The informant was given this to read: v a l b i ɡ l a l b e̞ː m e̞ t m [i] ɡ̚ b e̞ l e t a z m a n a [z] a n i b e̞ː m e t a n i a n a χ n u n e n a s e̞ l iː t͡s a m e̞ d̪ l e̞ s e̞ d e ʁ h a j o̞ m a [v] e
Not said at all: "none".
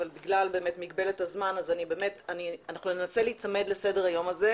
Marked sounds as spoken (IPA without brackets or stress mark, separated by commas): i, z, z